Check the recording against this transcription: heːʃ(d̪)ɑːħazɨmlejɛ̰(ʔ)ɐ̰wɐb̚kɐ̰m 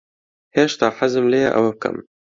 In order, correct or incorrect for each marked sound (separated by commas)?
incorrect, correct